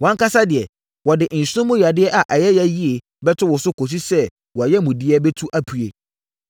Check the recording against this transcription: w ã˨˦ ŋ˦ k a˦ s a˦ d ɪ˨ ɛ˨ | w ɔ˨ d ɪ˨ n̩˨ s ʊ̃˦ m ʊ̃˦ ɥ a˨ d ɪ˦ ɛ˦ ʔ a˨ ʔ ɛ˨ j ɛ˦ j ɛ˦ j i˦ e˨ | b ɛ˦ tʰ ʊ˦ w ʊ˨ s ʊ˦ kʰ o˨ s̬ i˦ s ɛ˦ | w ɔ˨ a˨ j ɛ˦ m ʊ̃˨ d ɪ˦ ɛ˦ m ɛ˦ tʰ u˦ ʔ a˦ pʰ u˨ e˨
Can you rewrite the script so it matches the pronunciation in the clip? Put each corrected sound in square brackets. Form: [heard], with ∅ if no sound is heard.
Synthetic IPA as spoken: w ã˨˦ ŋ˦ k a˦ s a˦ d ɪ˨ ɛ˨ | w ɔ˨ d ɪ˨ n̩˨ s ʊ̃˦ m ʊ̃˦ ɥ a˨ d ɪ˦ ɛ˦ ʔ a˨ ʔ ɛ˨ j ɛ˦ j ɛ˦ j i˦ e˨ | b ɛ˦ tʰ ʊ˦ w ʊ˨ s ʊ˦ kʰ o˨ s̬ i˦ s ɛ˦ | w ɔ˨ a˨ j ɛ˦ m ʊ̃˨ d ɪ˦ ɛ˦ [b] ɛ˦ tʰ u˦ ʔ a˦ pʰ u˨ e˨